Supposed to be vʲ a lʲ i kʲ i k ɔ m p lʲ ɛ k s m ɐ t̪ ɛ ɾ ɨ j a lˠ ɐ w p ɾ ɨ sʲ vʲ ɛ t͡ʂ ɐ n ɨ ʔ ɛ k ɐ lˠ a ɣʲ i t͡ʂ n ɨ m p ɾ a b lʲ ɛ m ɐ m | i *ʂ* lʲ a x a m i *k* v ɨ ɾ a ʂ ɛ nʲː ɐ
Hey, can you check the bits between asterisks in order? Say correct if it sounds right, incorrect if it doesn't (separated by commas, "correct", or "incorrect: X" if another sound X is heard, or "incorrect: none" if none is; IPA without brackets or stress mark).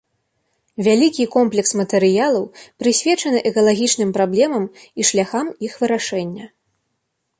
correct, incorrect: x